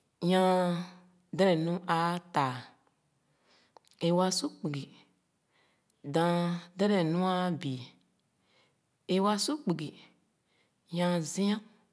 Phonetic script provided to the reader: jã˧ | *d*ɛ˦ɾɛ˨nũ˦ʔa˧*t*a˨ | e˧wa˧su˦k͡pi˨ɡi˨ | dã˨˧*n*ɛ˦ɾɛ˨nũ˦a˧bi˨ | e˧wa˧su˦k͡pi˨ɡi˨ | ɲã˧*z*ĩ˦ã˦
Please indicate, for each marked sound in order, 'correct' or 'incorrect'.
correct, correct, incorrect, correct

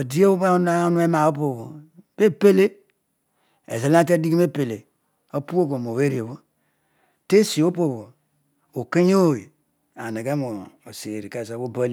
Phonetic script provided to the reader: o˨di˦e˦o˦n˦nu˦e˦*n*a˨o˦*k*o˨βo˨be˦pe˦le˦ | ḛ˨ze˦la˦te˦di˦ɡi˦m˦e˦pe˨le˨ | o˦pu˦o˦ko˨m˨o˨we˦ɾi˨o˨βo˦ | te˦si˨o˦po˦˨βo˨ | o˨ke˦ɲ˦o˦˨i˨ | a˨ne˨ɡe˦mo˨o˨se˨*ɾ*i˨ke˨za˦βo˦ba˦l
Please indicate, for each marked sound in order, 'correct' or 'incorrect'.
incorrect, incorrect, correct

